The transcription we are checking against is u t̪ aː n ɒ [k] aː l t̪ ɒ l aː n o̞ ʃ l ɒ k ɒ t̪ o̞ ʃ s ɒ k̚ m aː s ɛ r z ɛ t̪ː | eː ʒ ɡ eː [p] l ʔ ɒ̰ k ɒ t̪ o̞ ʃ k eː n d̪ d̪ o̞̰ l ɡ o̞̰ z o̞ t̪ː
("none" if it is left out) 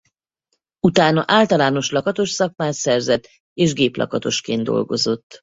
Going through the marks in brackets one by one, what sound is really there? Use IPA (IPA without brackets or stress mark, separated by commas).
ʔ, p